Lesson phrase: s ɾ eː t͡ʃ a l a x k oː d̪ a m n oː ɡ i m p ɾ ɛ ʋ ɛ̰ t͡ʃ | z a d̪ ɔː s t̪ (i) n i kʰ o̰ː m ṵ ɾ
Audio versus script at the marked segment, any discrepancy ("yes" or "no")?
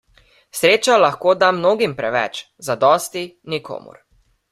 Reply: no